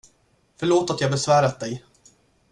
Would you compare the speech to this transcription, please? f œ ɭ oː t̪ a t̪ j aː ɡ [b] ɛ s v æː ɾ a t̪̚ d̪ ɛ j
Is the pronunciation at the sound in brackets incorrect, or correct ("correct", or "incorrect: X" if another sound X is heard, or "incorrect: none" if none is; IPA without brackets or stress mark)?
correct